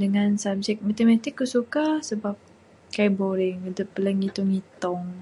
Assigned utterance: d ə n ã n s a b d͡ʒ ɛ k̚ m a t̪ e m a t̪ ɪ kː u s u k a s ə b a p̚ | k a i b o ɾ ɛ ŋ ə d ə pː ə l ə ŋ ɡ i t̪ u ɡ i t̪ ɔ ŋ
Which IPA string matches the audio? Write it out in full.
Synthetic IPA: d ə ŋ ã n s a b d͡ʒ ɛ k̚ m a t̪ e m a t̪ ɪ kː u s u k a s ə b a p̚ | k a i b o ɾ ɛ ŋ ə d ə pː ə l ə ŋ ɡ i t̪ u ŋ i t̪ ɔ ŋ